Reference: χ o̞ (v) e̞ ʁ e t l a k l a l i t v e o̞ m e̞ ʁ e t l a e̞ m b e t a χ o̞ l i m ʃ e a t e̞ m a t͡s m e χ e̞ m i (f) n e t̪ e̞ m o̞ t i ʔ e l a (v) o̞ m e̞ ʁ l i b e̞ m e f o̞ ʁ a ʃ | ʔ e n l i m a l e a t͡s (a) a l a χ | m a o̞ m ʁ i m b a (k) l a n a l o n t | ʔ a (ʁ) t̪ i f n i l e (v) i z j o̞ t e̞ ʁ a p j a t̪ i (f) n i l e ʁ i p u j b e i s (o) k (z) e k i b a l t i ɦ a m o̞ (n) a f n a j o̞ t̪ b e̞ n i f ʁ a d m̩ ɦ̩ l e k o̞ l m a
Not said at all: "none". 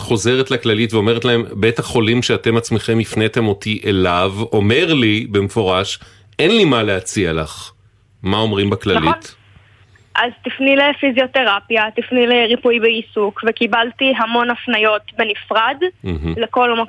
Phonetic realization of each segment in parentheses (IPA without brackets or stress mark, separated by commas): z, f, v, i, k, z, f, f, u, v, n